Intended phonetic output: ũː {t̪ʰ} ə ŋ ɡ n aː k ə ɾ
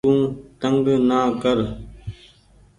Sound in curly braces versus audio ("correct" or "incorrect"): incorrect